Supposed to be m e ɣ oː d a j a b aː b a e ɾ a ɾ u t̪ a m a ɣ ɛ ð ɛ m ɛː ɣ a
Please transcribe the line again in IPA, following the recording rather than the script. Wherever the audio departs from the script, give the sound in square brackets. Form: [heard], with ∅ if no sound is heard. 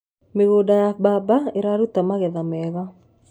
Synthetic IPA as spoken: m e ɣ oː d a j a b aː b a e ɾ a ɾ u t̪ a m a ɣ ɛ ð [a] m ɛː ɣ a